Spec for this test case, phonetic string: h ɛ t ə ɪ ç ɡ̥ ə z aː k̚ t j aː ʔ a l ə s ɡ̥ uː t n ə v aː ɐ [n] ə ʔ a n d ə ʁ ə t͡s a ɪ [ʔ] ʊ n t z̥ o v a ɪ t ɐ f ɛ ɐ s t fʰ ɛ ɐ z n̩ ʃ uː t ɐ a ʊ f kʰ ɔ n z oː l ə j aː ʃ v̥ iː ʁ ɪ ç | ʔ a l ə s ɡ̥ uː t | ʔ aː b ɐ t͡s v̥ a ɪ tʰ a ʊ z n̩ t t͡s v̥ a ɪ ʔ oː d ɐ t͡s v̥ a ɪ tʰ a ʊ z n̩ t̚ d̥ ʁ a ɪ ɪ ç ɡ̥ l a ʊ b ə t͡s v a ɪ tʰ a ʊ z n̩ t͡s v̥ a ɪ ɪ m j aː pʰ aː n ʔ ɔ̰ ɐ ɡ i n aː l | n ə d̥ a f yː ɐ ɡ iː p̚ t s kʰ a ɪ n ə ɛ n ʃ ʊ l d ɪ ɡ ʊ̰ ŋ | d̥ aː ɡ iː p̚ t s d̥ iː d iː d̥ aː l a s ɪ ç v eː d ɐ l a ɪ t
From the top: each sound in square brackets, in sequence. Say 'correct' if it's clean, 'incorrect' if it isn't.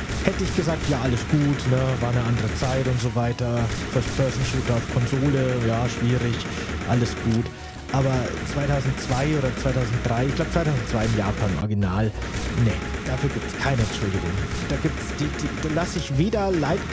correct, incorrect: t

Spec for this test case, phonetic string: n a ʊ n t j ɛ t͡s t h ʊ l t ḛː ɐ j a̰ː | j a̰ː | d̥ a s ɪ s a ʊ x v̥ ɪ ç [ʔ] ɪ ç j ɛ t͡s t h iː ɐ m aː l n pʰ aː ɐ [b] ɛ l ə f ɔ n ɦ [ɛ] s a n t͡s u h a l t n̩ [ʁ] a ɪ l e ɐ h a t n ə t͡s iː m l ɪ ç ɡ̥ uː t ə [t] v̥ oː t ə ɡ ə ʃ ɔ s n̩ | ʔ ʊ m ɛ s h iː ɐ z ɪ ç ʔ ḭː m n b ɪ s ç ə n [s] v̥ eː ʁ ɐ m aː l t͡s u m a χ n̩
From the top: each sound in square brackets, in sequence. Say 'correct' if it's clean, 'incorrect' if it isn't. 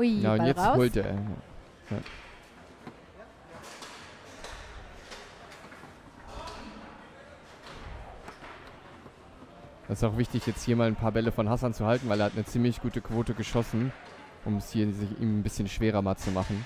incorrect: t, correct, incorrect: a, incorrect: v, incorrect: k, incorrect: ʃ

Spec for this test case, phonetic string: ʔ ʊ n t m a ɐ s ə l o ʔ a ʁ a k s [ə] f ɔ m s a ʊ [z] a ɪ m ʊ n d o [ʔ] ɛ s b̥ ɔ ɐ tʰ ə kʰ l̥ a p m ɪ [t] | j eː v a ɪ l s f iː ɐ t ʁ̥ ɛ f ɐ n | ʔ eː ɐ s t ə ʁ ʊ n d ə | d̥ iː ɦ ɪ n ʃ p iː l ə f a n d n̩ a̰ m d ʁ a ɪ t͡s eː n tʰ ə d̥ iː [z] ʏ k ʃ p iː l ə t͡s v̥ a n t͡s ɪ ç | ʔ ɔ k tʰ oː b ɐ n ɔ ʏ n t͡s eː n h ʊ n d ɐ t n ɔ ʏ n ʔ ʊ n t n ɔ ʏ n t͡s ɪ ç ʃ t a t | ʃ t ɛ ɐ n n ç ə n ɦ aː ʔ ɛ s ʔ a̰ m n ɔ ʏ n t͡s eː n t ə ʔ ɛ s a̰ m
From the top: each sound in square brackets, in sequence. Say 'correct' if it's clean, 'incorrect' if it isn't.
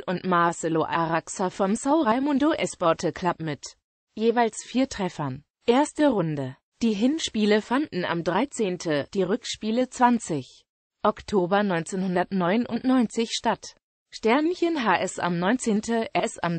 incorrect: a, incorrect: ʁ, correct, correct, incorrect: ʁ

